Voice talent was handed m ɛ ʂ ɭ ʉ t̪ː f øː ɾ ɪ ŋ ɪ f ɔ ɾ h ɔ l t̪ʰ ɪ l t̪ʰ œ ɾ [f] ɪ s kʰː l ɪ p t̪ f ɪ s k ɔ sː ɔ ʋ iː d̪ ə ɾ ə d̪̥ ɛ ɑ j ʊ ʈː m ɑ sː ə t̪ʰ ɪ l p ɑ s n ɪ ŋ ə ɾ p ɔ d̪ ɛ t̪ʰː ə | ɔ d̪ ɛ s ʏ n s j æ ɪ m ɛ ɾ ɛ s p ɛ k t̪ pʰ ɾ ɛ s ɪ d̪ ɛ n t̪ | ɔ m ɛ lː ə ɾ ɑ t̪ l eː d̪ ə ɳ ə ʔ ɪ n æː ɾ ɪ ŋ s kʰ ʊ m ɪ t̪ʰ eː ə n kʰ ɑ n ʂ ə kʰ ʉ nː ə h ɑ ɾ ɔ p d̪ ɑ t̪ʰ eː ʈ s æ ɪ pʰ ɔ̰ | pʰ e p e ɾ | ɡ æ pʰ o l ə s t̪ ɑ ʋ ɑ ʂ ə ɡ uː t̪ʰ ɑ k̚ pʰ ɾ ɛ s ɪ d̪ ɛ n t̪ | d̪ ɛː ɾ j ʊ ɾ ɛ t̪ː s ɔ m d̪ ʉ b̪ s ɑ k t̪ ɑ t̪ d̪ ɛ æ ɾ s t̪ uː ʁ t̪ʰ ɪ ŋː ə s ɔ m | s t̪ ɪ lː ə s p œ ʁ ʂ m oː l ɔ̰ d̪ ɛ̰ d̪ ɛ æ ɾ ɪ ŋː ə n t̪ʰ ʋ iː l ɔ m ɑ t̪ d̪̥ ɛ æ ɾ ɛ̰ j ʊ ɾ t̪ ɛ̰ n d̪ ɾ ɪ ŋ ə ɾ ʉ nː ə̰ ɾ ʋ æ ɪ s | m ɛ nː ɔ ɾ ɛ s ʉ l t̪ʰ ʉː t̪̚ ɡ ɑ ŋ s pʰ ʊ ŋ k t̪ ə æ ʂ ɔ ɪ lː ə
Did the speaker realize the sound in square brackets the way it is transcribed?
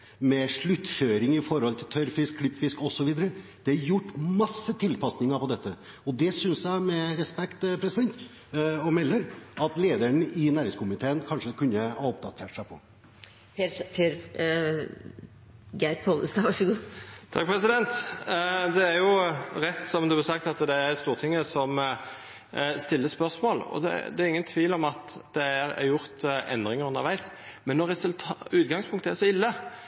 yes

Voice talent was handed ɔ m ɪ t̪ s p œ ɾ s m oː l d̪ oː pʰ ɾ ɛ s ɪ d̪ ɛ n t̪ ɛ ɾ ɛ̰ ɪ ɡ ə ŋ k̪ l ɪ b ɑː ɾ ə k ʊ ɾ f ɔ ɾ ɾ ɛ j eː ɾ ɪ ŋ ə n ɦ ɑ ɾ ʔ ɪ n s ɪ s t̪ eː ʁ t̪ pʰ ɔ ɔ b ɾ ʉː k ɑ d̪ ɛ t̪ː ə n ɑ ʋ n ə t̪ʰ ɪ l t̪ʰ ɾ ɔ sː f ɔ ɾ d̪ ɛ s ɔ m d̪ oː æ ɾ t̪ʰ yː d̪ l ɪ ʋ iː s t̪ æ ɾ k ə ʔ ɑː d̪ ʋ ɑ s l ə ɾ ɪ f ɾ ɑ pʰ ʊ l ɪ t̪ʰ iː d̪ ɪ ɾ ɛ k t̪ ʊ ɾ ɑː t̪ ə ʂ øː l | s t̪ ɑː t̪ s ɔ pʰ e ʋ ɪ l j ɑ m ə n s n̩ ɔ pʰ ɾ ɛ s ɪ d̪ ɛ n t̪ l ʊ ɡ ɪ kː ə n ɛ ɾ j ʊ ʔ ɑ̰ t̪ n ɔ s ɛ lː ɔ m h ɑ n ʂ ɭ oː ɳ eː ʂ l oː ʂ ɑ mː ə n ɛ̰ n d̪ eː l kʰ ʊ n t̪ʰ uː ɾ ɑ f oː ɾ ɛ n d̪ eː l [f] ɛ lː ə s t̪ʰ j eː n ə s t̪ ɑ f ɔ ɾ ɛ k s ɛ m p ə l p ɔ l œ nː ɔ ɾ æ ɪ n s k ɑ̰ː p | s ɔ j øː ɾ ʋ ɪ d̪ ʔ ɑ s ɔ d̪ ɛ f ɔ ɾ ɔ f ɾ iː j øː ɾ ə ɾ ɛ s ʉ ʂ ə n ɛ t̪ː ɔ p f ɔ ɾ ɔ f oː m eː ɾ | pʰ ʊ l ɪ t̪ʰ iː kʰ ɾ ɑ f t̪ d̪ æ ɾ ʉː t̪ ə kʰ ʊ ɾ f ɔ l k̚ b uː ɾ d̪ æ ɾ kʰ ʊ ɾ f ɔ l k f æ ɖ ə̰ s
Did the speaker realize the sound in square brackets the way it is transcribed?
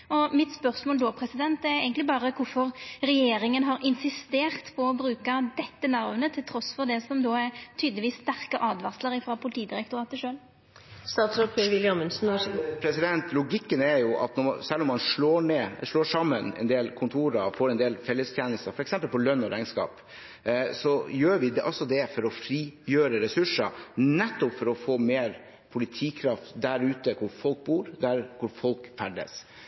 yes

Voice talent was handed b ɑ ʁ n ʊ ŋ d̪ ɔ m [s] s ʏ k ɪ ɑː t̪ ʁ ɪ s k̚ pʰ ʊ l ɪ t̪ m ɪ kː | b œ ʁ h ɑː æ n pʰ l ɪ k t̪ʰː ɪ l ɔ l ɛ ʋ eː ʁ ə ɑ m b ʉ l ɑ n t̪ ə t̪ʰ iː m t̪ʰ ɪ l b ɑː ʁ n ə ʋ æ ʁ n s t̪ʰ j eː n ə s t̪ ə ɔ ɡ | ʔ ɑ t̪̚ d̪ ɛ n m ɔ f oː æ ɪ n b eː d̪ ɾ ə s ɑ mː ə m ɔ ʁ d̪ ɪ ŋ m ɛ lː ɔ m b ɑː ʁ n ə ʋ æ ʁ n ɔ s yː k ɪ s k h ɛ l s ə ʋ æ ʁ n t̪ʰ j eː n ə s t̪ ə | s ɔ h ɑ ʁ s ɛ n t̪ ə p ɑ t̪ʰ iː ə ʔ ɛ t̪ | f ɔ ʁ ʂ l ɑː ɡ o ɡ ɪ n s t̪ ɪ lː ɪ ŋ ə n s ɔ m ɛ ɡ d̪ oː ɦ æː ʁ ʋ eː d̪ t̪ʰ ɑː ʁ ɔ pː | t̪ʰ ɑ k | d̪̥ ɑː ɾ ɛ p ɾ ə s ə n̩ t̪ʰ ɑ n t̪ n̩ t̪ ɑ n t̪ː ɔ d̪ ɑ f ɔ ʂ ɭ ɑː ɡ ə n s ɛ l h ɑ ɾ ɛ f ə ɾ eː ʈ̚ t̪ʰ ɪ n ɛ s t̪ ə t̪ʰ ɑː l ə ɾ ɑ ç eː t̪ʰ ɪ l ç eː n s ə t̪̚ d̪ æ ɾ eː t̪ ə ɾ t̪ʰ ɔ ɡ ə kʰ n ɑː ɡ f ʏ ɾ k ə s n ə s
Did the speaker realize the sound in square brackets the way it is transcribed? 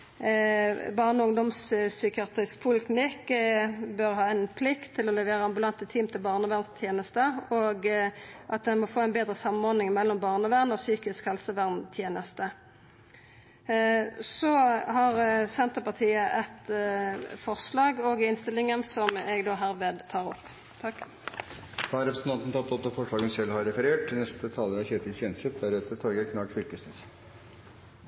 yes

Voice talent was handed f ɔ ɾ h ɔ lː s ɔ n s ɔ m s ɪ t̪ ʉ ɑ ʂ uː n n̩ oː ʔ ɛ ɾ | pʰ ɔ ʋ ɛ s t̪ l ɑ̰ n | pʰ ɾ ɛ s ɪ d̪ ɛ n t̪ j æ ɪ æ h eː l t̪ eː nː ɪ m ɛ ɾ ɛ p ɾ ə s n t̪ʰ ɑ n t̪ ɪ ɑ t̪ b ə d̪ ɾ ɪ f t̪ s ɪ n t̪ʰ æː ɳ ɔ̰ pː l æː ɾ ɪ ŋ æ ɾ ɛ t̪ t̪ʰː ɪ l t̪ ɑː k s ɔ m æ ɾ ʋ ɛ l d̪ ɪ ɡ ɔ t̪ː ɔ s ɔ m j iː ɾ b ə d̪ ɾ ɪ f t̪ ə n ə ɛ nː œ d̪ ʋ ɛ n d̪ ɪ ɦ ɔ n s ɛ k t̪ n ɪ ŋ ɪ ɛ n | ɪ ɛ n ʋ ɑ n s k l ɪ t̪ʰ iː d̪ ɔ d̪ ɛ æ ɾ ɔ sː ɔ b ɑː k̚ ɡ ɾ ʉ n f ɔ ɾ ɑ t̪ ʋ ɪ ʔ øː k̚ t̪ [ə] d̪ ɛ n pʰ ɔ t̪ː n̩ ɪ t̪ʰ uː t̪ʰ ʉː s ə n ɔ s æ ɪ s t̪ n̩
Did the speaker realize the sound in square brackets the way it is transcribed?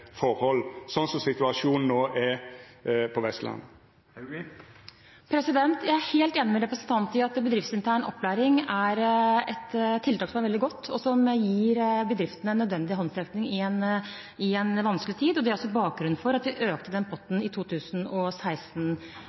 yes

